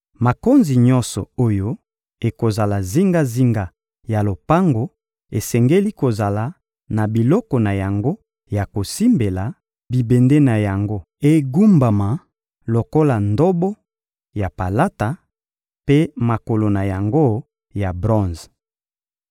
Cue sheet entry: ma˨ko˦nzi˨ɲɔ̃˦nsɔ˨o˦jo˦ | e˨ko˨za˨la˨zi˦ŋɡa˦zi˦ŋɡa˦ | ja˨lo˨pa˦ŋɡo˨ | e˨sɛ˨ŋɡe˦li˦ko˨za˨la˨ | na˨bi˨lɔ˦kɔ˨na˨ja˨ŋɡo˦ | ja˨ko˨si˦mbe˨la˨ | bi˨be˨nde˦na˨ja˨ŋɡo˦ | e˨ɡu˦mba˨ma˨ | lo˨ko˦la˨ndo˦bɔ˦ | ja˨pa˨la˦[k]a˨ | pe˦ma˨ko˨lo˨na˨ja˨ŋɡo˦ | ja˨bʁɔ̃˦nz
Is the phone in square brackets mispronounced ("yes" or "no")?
yes